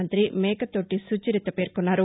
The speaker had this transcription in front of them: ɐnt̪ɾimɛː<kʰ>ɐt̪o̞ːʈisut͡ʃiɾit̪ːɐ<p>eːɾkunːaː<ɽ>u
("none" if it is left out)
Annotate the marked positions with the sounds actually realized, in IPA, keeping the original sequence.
k, p, ɾ

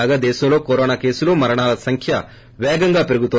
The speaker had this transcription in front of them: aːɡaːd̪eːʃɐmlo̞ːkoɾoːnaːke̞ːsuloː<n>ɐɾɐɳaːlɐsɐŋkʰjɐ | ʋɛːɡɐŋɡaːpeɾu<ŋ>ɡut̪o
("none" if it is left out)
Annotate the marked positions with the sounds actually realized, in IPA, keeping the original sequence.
m, none

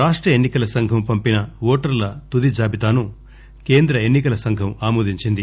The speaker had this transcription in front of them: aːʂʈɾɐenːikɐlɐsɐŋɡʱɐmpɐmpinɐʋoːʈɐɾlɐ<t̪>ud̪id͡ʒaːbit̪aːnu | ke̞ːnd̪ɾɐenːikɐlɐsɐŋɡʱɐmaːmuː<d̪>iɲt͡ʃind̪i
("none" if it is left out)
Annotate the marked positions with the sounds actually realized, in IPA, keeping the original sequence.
t̪, d̪

